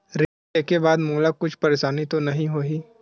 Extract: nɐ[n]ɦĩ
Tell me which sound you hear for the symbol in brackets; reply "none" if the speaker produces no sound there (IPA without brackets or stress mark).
none